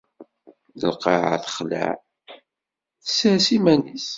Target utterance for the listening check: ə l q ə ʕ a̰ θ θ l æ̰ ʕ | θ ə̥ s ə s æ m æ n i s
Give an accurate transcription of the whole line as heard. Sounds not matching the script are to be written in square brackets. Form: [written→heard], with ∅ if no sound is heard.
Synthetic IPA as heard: ə l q [ə→ɑ] ʕ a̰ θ [θ→χ] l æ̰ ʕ | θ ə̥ s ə s [æ→i] m æ n i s